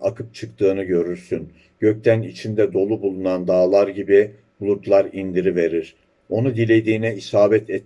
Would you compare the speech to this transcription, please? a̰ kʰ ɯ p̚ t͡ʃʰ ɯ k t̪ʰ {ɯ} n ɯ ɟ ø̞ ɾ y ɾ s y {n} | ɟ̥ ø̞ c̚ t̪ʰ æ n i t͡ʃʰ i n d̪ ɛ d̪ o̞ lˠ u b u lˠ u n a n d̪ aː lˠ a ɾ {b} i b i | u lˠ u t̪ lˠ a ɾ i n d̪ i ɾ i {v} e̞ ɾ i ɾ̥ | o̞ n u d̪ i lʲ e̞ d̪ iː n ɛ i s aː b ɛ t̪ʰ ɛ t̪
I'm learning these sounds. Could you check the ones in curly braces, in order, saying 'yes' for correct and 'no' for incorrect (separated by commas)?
no, yes, no, yes